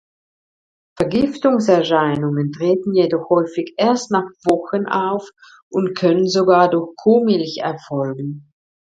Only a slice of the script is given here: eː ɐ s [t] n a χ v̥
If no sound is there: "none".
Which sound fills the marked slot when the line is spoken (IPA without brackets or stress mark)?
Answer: t